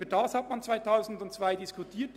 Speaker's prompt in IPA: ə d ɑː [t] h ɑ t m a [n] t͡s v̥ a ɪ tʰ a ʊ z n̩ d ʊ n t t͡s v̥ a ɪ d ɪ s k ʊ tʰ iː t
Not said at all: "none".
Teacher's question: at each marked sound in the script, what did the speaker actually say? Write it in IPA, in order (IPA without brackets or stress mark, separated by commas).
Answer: s, n